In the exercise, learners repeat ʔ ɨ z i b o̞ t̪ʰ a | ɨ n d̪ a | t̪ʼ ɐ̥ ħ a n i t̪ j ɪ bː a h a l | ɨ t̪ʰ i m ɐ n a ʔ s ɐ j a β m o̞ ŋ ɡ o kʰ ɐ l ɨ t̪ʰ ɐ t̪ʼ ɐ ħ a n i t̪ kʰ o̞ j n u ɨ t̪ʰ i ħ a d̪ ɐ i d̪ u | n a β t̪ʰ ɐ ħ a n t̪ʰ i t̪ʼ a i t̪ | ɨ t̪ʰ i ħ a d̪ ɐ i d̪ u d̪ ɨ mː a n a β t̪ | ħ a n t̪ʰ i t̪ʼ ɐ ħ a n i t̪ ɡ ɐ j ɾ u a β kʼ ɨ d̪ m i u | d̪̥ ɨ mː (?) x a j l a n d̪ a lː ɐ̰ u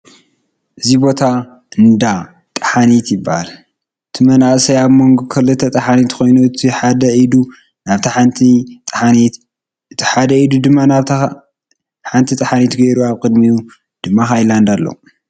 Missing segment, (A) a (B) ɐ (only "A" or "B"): A